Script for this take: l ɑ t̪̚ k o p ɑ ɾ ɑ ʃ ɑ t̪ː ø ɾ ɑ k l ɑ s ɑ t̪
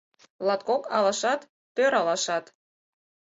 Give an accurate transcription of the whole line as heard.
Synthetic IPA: l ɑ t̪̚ k o k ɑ l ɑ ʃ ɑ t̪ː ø ɾ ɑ l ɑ ʃ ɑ t̪

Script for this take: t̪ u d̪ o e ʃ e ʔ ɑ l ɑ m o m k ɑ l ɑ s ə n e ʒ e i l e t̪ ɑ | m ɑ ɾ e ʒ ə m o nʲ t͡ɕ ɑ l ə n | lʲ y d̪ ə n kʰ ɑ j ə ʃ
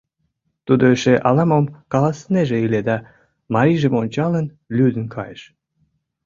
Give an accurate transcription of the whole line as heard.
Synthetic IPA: t̪ u d̪ o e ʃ e ʔ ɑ l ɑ m o m k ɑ l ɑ s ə n e ʒ e i l e d̪ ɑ | m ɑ ɾ i ʒ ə m o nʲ t͡ɕ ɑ l ə n | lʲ y d̪ ə n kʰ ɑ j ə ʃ

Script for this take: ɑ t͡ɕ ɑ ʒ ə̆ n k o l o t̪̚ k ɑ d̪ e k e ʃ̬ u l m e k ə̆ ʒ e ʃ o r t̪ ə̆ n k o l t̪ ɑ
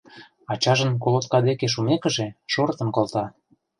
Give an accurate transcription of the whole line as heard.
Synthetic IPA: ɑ t͡ɕ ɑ ʒ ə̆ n k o l o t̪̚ k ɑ d̪ e k e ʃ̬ u m e k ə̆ ʒ e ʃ o r t̪ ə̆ n k o l t̪ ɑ

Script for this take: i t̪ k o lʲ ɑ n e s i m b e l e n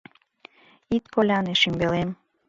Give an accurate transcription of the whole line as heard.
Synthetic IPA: i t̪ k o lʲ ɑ n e ʃ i m b e l e m

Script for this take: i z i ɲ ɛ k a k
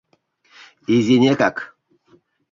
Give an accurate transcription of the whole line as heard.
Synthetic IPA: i z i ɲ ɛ k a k

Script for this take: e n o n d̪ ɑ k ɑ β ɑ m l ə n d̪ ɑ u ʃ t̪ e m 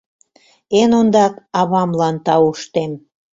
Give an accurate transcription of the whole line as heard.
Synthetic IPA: e n o n d̪ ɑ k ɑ β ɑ m l ɑ n t̪ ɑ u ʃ t̪ e m

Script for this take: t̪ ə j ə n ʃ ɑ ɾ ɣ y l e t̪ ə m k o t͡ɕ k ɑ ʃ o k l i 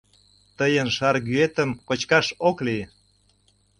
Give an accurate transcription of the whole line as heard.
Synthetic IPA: t̪ ə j ə n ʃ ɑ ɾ ɣ y e t̪ ə m k o t͡ɕ k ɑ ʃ o k l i

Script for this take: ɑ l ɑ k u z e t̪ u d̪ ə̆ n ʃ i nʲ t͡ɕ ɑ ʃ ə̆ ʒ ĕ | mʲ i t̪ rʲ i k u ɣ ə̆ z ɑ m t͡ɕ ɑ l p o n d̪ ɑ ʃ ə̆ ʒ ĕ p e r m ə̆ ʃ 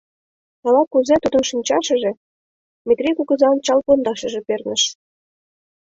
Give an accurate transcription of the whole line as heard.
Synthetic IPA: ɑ l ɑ k u z e t̪ u d̪ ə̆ n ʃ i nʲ t͡ɕ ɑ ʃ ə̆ ʒ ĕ | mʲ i t̪ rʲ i k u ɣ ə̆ z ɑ n t͡ɕ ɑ l p o n d̪ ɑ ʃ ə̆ ʒ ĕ p e r n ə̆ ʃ

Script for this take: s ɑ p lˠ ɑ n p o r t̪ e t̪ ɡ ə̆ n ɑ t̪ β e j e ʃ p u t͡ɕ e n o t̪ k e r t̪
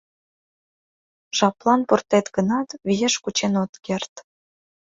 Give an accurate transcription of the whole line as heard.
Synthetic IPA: ʃ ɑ p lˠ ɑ n p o r t̪ e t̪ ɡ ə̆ n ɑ t̪ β i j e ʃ k u t͡ɕ e n o t̪ k e r t̪

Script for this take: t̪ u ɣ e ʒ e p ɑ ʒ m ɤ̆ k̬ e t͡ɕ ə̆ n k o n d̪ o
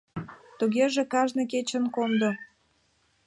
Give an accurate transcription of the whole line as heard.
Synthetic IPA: t̪ u ɣ e ʒ e k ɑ ʒ n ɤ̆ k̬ e t͡ɕ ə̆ n k o n d̪ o

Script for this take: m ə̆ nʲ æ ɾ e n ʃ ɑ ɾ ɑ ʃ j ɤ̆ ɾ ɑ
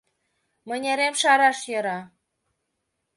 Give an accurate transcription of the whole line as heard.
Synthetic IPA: m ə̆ nʲ e ɾ e m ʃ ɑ ɾ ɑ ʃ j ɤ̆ ɾ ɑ

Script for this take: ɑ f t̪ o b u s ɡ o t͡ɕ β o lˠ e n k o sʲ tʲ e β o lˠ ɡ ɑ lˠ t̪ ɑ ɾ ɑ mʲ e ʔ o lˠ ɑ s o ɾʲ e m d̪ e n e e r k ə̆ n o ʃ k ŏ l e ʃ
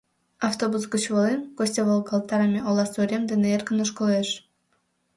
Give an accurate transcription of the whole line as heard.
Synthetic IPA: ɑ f t̪ o b u s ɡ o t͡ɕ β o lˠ e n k o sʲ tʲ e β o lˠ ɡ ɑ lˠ t̪ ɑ ɾ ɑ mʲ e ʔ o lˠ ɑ s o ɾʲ e m d̪ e n e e r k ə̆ n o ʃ k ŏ l e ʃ

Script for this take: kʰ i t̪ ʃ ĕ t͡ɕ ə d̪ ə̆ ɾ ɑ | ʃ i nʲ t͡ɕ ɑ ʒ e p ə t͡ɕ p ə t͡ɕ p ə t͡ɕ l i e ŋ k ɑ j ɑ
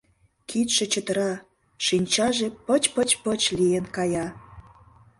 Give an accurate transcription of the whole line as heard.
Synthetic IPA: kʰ i t̪ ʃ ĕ t͡ɕ ə t̪ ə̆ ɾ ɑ | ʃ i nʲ t͡ɕ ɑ ʒ e p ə t͡ɕ p ə t͡ɕ p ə t͡ɕ l i e n k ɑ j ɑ

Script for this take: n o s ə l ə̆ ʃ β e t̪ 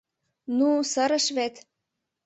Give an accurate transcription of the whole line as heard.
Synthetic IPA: n u s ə ɾ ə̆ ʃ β e t̪

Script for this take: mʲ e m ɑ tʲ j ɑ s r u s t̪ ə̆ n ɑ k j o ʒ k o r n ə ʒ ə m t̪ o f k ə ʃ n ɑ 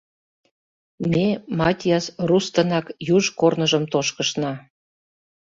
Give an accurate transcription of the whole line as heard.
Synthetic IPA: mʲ e m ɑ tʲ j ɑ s r u s t̪ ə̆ n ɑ k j u ʒ k o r n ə ʒ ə m t̪ o ʃ k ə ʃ n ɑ

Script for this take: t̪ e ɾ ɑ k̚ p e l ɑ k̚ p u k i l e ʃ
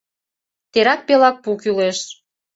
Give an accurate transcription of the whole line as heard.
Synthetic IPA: t̪ e ɾ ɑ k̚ p e l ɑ k̚ p u k y l e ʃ

